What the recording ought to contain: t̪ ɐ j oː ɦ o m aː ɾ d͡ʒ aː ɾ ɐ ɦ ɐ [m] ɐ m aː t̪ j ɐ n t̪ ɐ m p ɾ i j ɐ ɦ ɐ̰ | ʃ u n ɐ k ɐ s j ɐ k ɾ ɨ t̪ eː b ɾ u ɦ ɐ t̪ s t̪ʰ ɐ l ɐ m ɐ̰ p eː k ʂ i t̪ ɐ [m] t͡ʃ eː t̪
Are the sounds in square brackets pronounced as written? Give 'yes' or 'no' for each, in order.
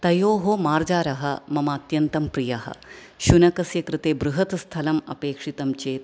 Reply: yes, yes

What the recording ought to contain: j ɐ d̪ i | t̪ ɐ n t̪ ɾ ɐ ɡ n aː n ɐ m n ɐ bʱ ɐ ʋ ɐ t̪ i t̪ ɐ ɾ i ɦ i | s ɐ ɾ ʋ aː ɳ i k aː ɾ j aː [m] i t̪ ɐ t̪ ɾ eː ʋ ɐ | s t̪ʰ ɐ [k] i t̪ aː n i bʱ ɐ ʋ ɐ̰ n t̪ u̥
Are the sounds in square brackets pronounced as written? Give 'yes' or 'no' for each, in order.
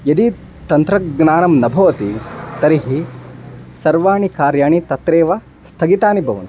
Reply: no, no

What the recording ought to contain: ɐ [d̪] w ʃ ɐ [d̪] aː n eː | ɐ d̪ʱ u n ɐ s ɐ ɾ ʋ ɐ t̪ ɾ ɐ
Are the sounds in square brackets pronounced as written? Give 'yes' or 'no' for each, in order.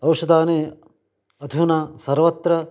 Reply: no, yes

